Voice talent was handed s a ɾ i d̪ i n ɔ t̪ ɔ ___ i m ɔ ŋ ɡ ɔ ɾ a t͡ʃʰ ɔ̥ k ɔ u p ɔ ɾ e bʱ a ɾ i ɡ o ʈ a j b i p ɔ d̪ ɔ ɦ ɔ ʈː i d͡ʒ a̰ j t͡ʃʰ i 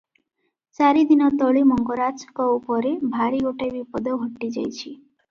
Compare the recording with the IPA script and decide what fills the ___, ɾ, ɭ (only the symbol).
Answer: ɭ